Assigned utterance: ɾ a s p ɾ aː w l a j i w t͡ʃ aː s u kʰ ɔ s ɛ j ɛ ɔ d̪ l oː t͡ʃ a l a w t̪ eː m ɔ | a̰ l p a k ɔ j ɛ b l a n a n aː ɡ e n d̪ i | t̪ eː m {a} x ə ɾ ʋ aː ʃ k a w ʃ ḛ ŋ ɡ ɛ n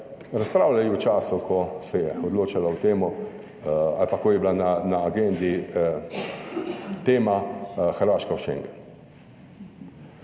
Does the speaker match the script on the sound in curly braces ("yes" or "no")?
yes